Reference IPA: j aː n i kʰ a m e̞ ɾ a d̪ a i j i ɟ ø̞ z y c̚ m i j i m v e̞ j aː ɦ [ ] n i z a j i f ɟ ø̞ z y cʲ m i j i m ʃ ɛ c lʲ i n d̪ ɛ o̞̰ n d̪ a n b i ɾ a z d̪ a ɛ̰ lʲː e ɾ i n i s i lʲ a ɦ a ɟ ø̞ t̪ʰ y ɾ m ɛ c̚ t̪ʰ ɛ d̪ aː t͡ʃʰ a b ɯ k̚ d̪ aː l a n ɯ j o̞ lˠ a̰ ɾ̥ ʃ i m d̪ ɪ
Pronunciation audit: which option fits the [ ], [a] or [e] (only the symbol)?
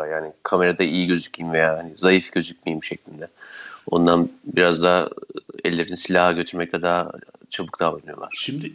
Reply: a